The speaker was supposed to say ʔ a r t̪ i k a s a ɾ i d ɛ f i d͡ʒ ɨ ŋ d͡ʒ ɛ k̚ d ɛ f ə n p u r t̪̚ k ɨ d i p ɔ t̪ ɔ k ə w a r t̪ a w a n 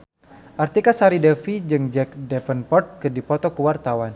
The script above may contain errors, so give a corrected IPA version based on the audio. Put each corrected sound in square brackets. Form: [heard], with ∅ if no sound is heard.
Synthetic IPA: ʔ a r t̪ i k a s a ɾ i d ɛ f i d͡ʒ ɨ ŋ d͡ʒ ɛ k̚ d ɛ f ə n p [ɔ] r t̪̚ k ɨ d i p ɔ t̪ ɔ k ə w a r t̪ a w a n